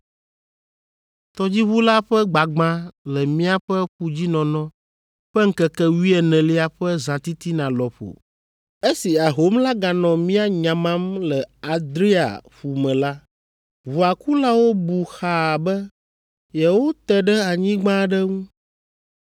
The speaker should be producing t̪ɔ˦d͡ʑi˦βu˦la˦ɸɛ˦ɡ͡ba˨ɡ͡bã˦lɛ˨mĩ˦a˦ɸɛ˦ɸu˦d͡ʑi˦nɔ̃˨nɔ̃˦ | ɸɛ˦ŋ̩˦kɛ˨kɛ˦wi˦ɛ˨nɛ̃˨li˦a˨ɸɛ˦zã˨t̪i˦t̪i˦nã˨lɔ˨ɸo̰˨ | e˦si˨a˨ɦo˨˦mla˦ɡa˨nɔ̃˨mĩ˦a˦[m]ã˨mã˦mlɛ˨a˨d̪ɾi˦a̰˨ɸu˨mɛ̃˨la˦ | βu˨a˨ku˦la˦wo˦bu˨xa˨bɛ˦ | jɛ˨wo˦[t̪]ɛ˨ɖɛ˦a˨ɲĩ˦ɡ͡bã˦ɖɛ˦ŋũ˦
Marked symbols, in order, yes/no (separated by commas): no, yes